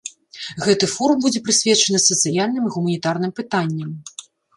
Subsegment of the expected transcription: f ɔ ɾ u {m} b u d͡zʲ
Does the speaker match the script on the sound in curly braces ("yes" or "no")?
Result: yes